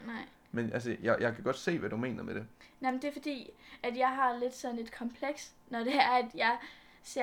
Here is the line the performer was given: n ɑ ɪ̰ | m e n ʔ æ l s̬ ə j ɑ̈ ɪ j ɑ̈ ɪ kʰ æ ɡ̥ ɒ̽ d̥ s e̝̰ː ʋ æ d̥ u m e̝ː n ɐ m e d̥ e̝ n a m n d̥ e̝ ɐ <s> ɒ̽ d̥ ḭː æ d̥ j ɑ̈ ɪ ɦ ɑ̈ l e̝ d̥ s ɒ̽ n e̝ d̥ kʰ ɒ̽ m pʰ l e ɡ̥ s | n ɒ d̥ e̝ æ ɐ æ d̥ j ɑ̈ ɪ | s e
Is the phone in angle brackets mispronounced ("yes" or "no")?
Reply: yes